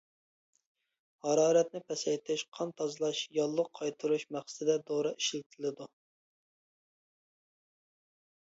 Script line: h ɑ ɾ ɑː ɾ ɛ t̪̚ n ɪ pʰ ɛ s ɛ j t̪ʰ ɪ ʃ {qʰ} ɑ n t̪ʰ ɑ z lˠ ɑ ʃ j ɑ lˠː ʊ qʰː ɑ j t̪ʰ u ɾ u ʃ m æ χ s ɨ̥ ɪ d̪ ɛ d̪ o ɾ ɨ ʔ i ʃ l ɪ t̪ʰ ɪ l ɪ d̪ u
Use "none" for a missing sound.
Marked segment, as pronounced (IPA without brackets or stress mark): qʰ